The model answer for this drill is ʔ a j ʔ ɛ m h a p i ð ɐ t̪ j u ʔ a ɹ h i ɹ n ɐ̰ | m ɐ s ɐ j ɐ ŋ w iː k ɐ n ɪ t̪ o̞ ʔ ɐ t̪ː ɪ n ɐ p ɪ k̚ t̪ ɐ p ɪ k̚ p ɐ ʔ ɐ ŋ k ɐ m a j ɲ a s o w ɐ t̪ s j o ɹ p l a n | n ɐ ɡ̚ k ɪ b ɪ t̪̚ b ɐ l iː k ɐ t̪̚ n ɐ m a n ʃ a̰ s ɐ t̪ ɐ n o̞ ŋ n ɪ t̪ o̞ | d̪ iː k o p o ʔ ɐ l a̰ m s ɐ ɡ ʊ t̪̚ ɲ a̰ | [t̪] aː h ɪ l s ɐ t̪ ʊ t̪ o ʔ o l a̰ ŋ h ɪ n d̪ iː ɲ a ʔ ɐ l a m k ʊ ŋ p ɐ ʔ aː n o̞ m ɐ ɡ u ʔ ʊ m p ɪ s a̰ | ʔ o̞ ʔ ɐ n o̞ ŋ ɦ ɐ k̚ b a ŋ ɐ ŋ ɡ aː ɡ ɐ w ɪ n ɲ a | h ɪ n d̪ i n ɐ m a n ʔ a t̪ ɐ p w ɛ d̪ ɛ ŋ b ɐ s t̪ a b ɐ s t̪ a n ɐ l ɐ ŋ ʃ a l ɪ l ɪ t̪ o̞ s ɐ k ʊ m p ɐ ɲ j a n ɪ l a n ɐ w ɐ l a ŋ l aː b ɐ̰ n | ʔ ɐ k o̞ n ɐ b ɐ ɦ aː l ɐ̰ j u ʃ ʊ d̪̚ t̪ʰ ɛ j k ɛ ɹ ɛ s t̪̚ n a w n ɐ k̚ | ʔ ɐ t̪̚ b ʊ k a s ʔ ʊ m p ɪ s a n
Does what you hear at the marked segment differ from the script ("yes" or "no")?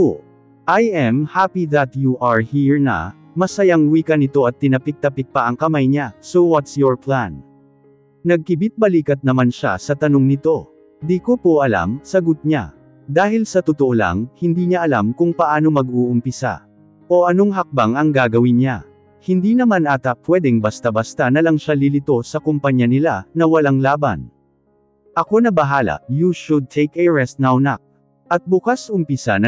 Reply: yes